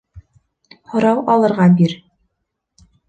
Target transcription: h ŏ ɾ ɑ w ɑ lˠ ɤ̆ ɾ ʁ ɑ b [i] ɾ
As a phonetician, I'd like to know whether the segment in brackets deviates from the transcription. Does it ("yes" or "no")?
no